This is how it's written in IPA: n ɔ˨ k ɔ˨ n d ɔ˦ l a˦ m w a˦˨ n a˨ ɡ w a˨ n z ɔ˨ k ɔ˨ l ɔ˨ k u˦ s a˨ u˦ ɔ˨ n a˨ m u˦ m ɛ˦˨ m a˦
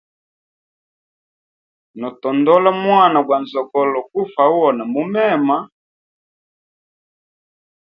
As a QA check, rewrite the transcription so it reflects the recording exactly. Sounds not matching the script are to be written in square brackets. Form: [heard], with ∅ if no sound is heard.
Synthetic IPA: n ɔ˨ [t] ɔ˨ n d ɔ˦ l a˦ m w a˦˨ n a˨ ɡ w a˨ n z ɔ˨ k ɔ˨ l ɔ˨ k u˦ [f] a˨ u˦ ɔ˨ n a˨ m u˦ m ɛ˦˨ m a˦